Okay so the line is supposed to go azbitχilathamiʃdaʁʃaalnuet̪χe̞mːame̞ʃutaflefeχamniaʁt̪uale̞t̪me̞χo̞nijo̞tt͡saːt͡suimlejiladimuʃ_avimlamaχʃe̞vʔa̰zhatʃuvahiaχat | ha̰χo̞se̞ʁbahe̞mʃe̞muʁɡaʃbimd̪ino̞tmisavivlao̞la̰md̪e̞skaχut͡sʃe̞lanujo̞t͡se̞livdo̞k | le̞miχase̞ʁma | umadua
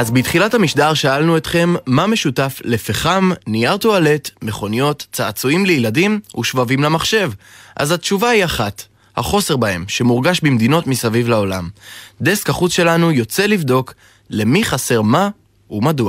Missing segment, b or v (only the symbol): v